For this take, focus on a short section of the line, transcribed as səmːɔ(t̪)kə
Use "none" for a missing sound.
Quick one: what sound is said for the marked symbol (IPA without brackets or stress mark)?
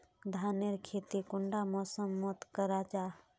t̪